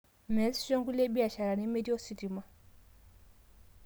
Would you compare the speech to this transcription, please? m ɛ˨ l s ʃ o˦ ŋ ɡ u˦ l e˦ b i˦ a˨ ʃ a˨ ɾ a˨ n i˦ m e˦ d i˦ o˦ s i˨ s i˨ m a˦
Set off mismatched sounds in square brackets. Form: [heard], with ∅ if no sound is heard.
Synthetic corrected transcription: m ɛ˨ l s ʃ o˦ ŋ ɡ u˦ l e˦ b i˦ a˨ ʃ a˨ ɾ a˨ n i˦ m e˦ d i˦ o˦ s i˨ [t] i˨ m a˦